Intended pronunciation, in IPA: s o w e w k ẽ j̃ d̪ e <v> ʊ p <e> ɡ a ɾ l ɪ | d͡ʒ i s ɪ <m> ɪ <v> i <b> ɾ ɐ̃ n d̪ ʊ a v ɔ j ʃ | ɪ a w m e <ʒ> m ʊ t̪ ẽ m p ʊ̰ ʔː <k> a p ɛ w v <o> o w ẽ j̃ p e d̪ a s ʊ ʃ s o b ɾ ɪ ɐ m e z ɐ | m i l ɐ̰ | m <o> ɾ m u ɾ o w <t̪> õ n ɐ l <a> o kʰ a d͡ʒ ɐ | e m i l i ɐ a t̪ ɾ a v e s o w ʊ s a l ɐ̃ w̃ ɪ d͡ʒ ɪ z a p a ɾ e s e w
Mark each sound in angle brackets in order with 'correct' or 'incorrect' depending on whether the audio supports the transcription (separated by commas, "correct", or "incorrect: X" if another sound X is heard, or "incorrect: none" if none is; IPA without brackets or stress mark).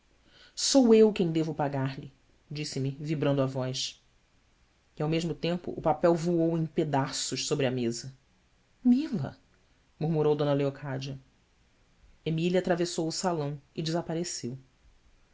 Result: correct, incorrect: a, correct, correct, correct, correct, incorrect: p, incorrect: u, incorrect: u, incorrect: d̪, incorrect: e